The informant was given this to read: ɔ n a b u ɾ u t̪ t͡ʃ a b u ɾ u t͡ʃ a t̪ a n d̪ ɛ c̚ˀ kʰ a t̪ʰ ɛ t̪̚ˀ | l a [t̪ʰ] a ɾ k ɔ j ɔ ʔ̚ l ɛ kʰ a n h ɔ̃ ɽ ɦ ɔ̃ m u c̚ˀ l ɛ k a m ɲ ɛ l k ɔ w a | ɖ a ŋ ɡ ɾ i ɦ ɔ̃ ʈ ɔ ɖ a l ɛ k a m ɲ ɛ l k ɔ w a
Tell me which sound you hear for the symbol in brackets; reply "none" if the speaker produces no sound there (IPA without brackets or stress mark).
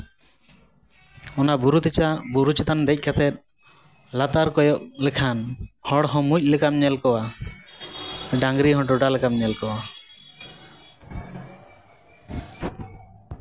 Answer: t̪